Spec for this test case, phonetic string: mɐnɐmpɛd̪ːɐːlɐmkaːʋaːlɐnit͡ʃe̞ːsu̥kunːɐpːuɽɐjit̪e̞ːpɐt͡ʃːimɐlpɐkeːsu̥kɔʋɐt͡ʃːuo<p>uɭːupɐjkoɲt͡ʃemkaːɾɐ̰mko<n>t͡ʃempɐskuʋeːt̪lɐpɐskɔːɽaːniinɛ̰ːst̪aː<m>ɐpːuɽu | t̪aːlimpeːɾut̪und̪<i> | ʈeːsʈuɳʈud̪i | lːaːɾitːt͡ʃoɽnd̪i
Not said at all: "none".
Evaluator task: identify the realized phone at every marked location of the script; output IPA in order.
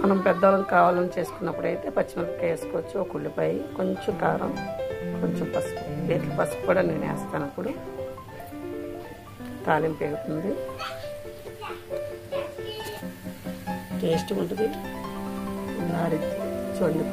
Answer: k, ɲ, n, i

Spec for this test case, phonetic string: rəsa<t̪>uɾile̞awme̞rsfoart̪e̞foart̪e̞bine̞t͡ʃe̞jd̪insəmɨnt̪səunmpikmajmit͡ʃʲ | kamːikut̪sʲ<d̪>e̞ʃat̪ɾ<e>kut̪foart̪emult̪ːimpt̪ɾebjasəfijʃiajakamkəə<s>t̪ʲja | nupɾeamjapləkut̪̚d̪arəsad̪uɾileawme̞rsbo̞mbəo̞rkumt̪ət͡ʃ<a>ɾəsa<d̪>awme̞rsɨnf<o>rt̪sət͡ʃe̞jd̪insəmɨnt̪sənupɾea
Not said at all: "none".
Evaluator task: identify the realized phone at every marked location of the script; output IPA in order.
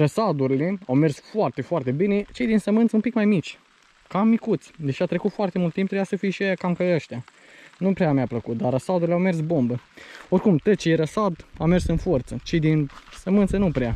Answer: d̪, d̪, e, ʃ, e, d̪, o

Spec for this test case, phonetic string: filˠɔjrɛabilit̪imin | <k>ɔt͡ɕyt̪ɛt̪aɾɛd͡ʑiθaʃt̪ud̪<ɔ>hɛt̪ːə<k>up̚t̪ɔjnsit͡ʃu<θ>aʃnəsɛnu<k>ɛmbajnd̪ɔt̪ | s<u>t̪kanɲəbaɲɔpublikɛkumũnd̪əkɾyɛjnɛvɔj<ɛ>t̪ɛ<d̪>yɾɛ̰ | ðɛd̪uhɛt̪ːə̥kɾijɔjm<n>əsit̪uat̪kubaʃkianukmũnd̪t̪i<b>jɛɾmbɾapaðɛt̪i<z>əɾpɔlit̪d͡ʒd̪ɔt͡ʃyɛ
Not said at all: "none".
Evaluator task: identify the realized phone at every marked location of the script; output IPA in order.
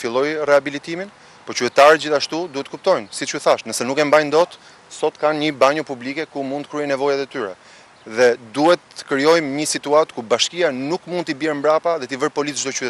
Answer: p, u, k, θ, k, ɔ, a, t̪, ɲ, b, v

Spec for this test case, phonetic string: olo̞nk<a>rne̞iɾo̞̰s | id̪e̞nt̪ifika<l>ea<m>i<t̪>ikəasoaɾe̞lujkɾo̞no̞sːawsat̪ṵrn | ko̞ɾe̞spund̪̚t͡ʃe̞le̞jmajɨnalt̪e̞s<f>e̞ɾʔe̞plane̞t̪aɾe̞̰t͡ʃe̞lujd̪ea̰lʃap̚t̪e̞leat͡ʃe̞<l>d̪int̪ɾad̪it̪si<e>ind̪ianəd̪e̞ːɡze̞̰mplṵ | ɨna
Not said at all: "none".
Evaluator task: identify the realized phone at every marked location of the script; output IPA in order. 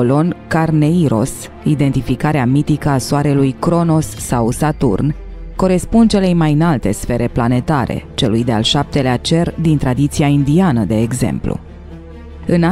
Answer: a, ɾ, m, t̪, f, r, a

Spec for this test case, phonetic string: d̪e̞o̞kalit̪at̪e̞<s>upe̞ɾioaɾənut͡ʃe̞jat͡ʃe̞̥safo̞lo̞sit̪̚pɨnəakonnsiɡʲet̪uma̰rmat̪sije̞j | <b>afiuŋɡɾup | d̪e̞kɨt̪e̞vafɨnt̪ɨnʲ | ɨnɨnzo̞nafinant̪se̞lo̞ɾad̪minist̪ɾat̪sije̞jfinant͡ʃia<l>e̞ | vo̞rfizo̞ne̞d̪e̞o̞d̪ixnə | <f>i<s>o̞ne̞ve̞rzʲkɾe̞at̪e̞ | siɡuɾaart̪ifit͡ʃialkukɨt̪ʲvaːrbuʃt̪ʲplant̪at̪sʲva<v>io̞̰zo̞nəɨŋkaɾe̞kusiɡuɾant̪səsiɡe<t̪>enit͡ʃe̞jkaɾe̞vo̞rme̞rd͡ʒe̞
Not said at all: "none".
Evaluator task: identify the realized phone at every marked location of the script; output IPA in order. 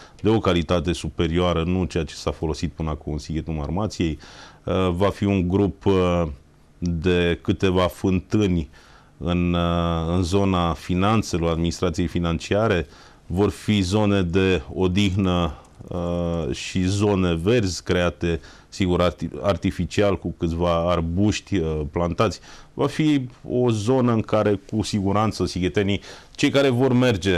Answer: s, v, ɾ, ʃ, z, f, t̪

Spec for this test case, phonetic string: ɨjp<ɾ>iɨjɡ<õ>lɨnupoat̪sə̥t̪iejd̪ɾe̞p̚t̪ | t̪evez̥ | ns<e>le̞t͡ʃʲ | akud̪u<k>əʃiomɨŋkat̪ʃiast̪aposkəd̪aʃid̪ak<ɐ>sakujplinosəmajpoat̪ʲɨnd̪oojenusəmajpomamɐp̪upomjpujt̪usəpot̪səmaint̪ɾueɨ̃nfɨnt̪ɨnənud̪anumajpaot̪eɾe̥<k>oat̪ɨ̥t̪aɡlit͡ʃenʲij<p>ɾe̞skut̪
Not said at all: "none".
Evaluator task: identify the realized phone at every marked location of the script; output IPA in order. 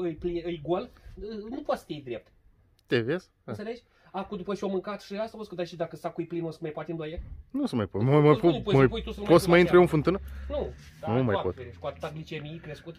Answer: l, o, e, p, ə, k, k

